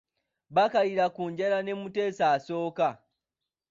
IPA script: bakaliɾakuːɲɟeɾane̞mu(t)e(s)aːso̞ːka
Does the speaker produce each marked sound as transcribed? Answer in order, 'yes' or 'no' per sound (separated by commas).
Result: yes, yes